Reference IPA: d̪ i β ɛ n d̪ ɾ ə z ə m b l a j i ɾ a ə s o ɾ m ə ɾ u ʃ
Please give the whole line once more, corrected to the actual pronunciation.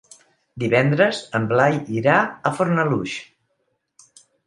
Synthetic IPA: d̪ i β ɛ n d̪ ɾ ə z ə m b l a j i ɾ a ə f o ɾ n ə l u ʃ